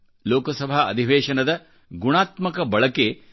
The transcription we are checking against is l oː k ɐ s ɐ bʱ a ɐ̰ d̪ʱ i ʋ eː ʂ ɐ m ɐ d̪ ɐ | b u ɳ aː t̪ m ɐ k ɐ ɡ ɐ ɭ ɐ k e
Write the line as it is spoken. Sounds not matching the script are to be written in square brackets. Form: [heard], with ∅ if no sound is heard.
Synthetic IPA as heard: l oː k ɐ s ɐ bʱ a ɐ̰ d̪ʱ i ʋ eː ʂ ɐ [n] ɐ d̪ ɐ | [ɡ] u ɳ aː t̪ m ɐ k ɐ [b] ɐ ɭ ɐ k e